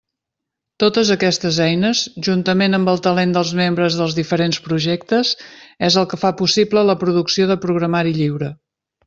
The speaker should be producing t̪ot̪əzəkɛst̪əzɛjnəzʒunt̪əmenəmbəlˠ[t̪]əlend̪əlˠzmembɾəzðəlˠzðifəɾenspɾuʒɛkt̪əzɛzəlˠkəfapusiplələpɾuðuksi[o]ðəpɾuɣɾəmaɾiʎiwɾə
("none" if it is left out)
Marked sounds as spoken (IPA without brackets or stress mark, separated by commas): t̪, o